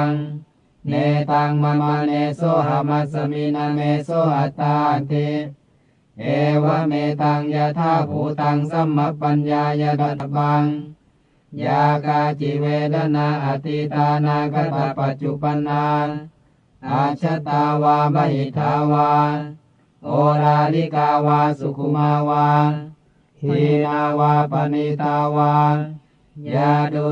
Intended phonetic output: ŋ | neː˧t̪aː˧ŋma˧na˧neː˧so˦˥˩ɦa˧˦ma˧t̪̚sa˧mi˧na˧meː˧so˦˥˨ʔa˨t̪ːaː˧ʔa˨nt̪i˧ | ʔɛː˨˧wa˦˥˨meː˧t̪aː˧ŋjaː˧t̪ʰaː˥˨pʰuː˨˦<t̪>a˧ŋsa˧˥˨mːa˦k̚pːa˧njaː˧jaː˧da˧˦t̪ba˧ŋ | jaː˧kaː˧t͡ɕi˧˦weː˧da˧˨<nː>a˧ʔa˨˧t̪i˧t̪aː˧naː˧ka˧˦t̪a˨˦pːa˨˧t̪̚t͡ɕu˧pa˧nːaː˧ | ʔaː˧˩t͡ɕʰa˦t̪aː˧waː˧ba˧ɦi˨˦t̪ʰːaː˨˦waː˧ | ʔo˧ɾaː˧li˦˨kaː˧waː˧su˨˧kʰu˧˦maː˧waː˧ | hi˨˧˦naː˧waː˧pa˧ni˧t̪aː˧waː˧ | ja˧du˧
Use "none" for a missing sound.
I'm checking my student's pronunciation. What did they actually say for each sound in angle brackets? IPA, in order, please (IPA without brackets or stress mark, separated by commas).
t̪, n